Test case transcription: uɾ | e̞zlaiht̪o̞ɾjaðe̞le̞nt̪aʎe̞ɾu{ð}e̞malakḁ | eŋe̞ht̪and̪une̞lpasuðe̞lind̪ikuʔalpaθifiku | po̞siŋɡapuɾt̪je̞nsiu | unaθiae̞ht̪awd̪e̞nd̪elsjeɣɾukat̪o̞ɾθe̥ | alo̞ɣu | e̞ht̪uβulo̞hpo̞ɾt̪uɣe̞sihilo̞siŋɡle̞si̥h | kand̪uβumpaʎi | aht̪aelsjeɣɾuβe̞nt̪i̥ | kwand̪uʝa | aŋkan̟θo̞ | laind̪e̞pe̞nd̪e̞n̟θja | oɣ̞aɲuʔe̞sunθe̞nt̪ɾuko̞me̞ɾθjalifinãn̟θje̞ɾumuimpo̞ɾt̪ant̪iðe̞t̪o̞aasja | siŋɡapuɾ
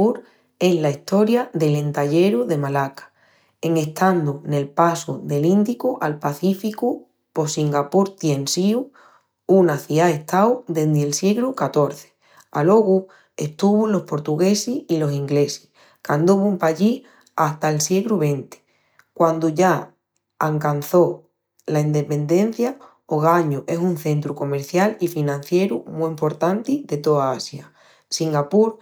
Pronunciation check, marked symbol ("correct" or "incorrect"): correct